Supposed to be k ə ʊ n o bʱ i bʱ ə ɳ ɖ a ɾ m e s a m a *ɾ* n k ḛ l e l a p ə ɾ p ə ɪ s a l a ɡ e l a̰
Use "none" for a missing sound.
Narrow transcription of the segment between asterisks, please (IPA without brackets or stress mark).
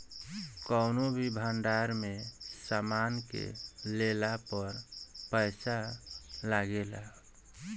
none